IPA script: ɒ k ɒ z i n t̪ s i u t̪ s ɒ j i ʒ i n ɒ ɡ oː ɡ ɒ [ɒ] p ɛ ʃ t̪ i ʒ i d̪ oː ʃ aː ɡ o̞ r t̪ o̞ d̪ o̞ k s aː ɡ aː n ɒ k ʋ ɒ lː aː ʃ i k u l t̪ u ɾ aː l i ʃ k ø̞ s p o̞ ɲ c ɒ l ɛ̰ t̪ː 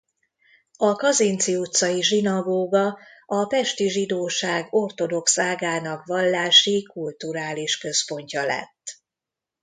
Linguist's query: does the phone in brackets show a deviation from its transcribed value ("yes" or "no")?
no